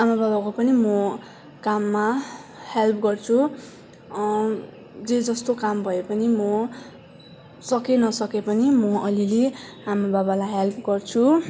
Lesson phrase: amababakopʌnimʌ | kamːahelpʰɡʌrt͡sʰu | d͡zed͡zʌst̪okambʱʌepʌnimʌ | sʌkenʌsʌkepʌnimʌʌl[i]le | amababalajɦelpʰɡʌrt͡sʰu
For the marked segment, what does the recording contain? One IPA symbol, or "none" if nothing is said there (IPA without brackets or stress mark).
i